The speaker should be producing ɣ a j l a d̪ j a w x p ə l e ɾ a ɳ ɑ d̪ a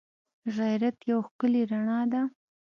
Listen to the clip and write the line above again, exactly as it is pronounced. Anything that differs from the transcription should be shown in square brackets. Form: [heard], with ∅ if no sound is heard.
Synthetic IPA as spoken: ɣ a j [ɾ] a [t̪] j a w x [k] ə l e ɾ a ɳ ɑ d̪ a